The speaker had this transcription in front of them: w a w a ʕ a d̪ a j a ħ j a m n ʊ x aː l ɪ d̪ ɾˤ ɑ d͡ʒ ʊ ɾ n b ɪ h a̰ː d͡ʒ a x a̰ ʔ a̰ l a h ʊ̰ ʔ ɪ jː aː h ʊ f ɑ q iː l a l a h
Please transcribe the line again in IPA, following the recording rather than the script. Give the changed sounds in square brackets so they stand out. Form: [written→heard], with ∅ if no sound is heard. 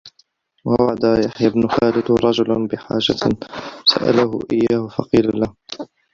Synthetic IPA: w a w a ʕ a d̪ a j a ħ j a [m→b] n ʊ x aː l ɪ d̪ ɾˤ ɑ d͡ʒ ʊ [ɾ→l] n b ɪ [h→ħ] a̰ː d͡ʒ a [x→s] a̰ ʔ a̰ l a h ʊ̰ ʔ ɪ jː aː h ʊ f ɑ q iː l a l a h